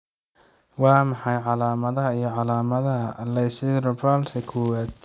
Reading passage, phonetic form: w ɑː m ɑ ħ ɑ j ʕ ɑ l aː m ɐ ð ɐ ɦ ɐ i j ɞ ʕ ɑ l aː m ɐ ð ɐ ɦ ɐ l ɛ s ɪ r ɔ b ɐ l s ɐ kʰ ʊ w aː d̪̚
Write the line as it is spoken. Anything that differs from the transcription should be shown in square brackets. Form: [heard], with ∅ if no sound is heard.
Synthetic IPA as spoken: w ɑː m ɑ ħ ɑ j ʕ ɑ l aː m ɐ ð ɐ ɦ ɐ i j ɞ ʕ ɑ l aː m ɐ ð ɐ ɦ ɐ l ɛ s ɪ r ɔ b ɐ l s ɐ kʰ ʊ w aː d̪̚